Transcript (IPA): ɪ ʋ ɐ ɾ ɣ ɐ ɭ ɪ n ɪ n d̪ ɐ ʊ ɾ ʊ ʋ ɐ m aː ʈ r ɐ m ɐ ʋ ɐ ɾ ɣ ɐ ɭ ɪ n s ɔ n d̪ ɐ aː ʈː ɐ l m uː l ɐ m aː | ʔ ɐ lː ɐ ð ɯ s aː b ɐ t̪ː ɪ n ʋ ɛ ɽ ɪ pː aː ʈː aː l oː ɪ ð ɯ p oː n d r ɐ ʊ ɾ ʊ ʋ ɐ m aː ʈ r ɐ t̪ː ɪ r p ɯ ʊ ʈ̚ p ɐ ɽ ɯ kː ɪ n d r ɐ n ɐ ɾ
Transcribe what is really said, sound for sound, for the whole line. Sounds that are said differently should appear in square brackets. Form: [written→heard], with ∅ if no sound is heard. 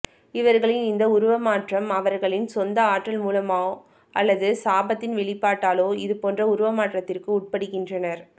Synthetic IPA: ɪ ʋ ɐ ɾ ɣ ɐ ɭ ɪ n ɪ n d̪ ɐ ʊ ɾ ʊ ʋ ɐ m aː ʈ r ɐ m ɐ ʋ ɐ ɾ ɣ ɐ ɭ ɪ n s ɔ n d̪ ɐ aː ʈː ɐ l m uː l ɐ m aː | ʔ ɐ lː ɐ ð ɯ s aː b ɐ t̪ː ɪ n ʋ ɛ [ɽ→ɭ] ɪ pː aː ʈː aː l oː ɪ ð ɯ p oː n d r ɐ ʊ ɾ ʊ ʋ ɐ m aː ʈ r ɐ t̪ː ɪ r [p→k] ɯ ʊ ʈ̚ p ɐ ɽ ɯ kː ɪ n d r ɐ n ɐ ɾ